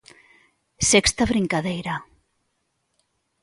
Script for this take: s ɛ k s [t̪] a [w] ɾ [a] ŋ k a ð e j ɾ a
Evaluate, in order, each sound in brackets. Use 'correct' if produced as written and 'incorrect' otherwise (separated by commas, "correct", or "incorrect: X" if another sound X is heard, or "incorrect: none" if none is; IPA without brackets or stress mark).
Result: correct, incorrect: β, incorrect: i